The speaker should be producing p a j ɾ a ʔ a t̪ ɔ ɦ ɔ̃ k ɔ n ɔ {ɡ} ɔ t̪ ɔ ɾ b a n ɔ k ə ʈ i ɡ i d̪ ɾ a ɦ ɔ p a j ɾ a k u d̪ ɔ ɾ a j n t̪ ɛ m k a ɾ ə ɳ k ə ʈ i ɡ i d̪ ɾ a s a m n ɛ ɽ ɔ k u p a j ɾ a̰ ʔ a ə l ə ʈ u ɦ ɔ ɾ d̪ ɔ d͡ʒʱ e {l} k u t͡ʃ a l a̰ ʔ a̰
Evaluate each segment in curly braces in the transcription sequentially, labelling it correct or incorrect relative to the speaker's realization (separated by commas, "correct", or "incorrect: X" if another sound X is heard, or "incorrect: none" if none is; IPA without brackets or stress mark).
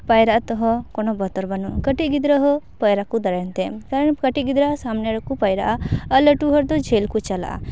incorrect: b, correct